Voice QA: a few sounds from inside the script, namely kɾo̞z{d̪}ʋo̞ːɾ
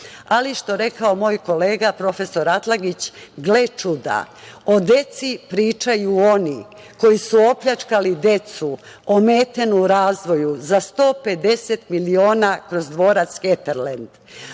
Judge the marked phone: correct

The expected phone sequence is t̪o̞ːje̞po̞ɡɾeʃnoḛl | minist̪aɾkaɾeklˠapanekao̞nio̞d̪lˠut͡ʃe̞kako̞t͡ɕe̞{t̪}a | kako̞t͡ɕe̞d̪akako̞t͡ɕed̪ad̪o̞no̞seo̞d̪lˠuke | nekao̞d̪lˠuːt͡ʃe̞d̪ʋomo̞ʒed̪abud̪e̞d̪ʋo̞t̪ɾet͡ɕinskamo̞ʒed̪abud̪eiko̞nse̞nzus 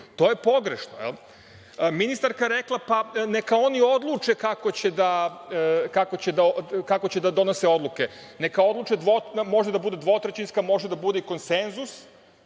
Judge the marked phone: incorrect: d̪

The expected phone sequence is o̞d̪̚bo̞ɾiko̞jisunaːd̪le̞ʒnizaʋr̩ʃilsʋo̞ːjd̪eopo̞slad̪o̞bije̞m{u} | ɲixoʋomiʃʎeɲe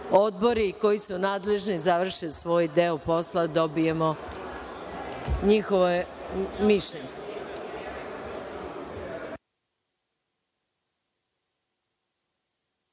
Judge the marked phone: incorrect: o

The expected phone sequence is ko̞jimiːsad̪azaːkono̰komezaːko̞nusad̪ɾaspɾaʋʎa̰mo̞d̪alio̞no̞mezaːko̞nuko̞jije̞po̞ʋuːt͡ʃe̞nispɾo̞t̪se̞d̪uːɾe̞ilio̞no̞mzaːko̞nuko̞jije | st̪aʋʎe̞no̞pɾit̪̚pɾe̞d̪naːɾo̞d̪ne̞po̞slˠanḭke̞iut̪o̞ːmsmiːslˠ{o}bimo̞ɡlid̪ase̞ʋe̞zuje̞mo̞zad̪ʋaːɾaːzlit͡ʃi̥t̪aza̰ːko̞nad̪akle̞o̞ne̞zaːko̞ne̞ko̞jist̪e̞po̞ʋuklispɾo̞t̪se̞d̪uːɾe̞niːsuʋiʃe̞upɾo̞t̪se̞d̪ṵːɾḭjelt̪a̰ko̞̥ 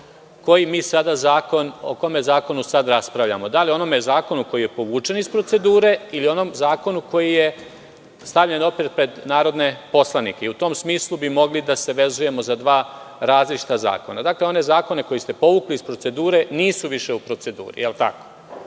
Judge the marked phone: incorrect: u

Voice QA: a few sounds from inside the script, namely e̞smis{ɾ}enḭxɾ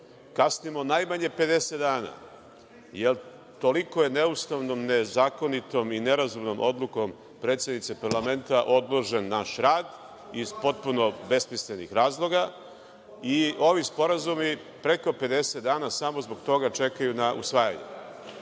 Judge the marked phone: incorrect: l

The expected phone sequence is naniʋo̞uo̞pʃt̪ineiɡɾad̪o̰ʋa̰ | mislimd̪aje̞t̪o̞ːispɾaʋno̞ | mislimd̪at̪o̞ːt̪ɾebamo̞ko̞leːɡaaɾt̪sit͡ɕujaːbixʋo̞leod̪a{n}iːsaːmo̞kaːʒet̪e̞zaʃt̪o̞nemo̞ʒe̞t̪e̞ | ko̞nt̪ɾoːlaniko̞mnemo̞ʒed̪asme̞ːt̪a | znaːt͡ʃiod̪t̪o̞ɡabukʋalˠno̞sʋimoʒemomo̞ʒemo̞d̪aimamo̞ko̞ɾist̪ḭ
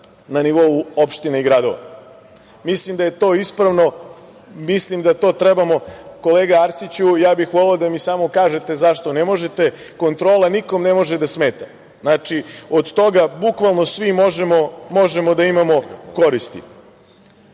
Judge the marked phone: incorrect: m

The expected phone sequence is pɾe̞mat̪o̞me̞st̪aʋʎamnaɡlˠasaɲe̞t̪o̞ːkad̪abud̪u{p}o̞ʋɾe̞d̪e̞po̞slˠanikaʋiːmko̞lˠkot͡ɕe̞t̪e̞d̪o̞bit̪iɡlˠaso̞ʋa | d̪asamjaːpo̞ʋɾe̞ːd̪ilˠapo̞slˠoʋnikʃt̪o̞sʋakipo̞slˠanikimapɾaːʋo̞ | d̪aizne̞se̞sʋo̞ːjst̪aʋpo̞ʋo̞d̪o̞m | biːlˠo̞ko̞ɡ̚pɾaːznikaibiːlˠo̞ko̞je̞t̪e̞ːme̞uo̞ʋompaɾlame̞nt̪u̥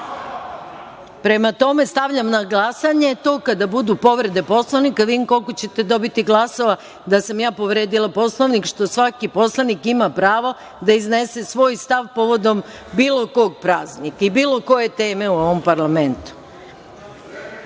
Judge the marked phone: correct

